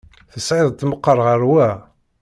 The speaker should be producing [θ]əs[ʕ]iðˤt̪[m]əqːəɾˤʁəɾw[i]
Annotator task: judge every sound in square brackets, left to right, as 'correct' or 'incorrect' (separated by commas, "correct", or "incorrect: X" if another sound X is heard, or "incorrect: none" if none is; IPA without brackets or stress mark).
correct, correct, correct, incorrect: æ